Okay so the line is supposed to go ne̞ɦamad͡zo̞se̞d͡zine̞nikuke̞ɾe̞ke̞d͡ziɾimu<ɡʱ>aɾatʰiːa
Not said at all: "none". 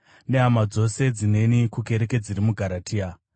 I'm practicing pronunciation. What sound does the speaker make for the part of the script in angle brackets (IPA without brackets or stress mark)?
ɡʱ